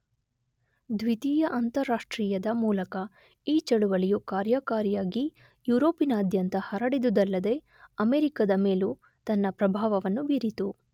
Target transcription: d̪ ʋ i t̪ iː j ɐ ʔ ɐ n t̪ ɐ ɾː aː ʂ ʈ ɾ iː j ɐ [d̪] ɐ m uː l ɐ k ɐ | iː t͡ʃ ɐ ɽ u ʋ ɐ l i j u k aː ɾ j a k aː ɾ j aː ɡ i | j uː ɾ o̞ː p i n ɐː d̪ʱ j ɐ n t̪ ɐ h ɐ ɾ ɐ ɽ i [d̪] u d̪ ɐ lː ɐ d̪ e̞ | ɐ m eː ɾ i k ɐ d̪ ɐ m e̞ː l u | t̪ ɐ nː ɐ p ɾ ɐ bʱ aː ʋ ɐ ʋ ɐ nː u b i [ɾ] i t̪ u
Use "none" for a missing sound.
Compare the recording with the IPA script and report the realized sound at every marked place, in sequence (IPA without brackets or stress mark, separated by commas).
d̪, d̪, ɾ